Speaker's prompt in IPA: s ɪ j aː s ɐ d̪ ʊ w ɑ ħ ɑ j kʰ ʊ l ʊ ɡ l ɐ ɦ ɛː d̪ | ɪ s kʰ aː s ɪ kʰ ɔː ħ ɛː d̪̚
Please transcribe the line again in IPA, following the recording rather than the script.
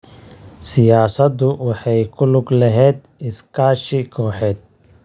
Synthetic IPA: s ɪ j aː s ɐ d̪ ʊ w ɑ ħ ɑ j kʰ ʊ l ʊ ɡ l ɐ ɦ ɛː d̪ | ɪ s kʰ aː ʃ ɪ kʰ ɔː ħ ɛː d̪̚